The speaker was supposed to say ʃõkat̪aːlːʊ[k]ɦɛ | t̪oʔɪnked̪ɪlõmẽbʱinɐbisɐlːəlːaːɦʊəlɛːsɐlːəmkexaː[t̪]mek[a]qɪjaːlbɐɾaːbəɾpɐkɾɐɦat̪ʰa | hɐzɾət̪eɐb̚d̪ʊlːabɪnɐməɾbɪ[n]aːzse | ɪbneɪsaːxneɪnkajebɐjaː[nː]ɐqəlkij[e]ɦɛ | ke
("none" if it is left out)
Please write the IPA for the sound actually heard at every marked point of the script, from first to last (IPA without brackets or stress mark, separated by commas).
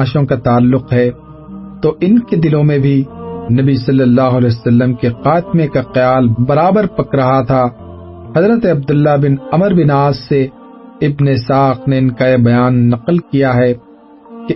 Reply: q, t̪, a, n, nː, a